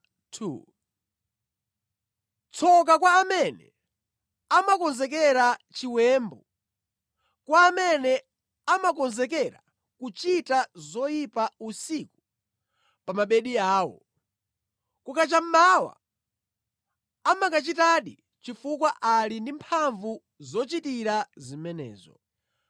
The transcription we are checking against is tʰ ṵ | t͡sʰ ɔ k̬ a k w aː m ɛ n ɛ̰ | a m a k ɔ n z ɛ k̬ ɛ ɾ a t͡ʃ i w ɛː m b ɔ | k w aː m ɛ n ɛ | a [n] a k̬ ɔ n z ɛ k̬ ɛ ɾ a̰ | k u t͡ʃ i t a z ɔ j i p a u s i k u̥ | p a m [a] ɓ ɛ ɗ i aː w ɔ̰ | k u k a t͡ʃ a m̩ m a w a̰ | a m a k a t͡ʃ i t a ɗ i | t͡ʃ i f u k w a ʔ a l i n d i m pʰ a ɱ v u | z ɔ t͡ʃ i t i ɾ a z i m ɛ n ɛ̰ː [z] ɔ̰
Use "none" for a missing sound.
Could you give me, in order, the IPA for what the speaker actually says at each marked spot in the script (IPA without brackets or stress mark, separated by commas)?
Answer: m, a, z